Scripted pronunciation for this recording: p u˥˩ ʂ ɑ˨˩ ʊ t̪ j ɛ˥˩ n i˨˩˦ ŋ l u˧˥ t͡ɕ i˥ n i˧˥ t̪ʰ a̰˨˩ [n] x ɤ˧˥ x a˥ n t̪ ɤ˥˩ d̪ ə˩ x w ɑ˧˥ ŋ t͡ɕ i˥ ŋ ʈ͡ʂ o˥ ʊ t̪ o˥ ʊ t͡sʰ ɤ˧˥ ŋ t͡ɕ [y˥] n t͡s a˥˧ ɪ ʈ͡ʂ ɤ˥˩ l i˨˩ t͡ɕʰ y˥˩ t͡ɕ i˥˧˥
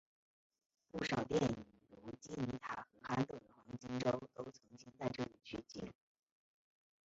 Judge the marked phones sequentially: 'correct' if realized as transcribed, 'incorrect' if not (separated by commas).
incorrect, incorrect